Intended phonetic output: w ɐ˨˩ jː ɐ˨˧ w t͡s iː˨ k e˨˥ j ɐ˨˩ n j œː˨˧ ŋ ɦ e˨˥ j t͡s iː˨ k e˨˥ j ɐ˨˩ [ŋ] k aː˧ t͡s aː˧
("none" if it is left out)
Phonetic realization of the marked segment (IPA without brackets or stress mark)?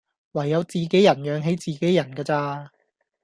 n